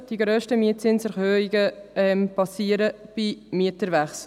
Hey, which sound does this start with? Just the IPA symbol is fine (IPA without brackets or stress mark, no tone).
d̥